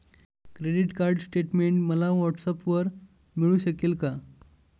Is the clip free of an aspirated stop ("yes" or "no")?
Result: yes